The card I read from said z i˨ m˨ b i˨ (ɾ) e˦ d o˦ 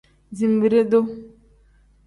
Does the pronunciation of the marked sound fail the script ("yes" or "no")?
no